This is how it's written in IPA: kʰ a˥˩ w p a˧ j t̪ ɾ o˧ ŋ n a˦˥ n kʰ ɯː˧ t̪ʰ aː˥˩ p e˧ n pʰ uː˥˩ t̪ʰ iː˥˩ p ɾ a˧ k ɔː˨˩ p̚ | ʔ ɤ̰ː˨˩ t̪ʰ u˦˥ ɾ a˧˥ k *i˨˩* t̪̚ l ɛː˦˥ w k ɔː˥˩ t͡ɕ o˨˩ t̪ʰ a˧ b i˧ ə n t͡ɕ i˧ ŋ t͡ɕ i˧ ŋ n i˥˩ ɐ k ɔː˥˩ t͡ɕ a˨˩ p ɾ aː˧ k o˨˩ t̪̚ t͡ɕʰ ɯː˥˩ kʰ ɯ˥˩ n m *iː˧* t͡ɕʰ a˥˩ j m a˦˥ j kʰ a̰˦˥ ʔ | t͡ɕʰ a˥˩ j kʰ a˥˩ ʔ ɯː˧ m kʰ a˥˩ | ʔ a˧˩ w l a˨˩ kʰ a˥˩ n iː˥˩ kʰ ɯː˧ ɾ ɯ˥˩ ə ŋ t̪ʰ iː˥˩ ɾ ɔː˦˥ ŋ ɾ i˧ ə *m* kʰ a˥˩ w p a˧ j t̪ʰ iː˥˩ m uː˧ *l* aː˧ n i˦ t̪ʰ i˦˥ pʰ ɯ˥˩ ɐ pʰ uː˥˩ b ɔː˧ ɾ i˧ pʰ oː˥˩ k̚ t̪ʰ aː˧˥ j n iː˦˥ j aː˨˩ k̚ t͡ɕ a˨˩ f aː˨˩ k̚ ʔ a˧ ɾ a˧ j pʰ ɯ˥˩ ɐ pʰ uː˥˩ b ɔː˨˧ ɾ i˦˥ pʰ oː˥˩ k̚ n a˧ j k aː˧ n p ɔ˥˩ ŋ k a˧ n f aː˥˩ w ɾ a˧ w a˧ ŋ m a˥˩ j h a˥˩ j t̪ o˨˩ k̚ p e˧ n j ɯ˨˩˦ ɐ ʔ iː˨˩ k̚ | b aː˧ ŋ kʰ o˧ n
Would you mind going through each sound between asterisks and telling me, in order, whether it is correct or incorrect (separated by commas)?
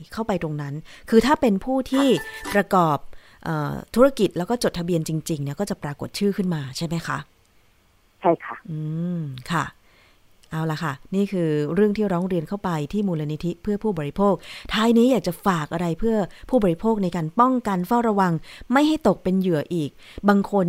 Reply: correct, incorrect, incorrect, correct